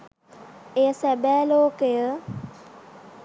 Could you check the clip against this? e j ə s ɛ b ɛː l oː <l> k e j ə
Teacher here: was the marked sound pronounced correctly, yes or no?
no